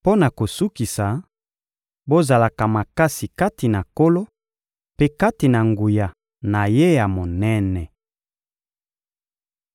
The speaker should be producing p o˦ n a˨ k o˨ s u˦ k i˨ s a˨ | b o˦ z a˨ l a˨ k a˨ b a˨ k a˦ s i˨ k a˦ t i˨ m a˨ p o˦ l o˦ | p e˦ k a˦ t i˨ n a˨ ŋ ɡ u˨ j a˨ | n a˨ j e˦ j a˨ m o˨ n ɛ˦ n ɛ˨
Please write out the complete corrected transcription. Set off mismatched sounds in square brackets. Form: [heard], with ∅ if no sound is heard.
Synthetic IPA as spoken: p o˦ n a˨ k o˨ s u˦ k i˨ s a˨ | b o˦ z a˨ l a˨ k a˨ [m] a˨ k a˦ s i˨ k a˦ t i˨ [n] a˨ [k] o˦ l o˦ | p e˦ k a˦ t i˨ n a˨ ŋ ɡ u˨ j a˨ | n a˨ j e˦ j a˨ m o˨ n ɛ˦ n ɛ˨